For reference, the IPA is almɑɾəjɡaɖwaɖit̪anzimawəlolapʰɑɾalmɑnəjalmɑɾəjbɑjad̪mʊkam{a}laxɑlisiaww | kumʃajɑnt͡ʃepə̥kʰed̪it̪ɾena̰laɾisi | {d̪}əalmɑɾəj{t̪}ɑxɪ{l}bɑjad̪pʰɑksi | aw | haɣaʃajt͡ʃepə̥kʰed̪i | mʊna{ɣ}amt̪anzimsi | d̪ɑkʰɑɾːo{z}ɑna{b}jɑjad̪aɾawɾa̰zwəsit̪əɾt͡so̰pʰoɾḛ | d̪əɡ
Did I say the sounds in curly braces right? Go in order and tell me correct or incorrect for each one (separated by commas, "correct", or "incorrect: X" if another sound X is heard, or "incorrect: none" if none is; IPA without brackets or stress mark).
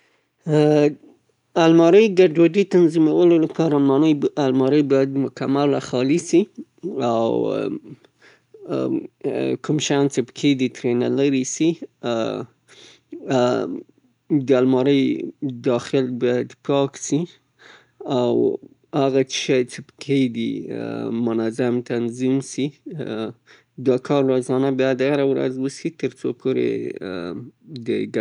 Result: correct, correct, incorrect: d̪, correct, incorrect: z, correct, correct